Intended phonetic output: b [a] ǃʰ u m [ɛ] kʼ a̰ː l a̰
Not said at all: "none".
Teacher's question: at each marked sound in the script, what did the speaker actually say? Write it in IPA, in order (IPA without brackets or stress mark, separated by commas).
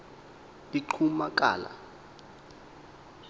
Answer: i, a